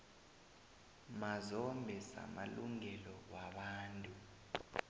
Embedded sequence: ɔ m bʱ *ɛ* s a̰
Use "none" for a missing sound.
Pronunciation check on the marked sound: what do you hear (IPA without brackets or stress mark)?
ɛ